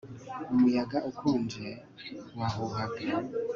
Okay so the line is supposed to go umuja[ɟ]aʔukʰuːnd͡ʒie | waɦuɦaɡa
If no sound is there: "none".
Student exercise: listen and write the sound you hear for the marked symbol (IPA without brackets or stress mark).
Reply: ɡ